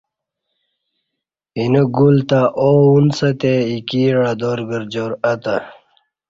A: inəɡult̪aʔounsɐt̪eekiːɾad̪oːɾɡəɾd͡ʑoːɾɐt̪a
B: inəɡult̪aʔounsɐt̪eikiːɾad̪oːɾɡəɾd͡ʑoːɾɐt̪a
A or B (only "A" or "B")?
B